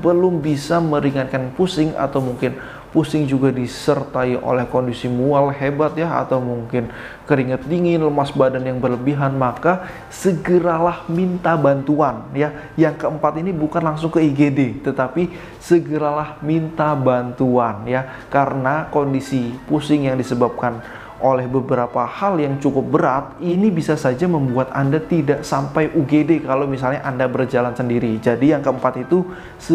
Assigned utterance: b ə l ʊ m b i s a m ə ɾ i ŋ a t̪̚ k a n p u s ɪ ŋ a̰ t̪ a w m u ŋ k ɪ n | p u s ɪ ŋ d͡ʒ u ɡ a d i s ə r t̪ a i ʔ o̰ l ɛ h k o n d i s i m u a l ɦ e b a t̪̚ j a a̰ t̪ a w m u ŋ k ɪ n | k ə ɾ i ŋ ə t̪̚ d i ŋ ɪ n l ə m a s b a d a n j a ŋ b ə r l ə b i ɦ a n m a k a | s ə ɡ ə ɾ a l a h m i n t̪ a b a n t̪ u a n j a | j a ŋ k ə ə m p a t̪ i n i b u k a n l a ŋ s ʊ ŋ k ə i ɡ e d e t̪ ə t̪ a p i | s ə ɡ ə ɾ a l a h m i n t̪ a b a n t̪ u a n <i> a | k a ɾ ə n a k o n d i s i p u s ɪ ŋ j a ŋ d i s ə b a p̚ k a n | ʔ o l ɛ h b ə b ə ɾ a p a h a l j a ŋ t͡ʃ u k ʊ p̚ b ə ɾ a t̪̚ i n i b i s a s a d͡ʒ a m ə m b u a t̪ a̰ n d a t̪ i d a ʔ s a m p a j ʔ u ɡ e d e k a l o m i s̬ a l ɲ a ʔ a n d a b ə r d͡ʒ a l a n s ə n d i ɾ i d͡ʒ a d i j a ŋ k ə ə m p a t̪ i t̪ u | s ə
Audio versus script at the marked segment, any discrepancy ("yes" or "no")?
yes